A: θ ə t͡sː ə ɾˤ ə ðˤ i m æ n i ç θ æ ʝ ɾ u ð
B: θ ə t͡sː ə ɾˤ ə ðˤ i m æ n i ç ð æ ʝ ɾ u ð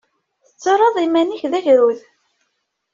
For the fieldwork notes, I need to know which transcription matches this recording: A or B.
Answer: B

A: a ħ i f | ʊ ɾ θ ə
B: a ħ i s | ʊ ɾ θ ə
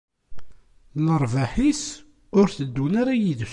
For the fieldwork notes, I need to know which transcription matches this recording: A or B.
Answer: B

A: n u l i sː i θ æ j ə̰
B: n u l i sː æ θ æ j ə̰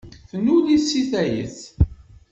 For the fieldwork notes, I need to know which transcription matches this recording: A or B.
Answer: A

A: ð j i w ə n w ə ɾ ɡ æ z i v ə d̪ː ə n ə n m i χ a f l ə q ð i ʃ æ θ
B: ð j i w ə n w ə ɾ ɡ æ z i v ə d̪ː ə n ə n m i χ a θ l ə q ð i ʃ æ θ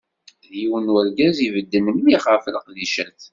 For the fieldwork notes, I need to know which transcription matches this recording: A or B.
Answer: A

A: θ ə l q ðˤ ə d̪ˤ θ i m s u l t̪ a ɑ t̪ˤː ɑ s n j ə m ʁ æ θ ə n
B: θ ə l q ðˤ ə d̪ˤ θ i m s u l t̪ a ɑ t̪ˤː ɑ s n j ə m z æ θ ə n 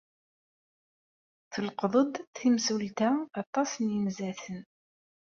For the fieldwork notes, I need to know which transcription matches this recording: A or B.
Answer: B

